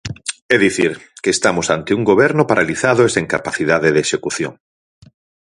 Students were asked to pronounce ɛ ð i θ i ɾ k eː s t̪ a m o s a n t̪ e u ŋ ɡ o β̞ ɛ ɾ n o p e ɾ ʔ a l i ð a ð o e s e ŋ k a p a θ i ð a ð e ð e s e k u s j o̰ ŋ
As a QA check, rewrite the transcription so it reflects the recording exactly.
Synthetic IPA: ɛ ð i θ i ɾ k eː s t̪ a m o s a n t̪ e u ŋ ɡ o β̞ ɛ ɾ n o p a ɾ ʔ a l i θ a ð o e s e ŋ k a p a θ i ð a ð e ð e ʃ e k u θ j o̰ ŋ